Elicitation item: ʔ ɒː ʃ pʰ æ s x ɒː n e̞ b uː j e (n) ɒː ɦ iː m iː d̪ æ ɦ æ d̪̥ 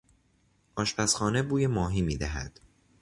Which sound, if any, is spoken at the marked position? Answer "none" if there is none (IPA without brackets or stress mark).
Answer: m